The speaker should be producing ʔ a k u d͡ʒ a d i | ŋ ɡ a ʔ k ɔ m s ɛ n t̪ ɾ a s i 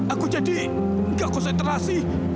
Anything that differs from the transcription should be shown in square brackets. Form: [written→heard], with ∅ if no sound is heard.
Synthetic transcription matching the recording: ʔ a k u d͡ʒ a d i | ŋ ɡ a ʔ k ɔ [m→n] s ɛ n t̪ ɾ a s i